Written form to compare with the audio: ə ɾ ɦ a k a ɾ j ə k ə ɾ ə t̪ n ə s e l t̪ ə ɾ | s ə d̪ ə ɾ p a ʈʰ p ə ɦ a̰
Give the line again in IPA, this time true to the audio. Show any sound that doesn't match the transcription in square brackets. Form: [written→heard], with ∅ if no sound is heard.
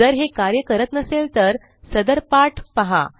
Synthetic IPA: ə ɾ ɦ [a→e] k a ɾ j ə k ə ɾ ə t̪ n ə s e l t̪ ə ɾ | s ə d̪ ə ɾ p a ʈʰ p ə ɦ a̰